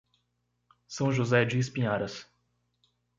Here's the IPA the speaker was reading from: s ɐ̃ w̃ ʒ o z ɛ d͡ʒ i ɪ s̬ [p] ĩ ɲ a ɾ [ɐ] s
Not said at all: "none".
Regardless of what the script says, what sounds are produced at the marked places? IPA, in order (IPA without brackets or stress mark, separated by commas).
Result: p, ɐ